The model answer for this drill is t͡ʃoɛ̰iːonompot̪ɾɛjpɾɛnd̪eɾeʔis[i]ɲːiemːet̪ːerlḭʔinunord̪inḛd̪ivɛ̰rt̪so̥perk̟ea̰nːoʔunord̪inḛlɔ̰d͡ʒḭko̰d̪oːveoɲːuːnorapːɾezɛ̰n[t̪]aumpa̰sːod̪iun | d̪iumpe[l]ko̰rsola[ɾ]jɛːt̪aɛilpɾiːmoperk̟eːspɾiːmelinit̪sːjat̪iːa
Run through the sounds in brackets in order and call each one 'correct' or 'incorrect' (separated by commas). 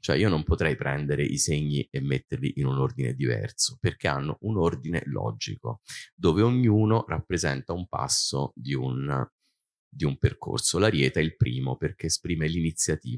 incorrect, correct, incorrect, correct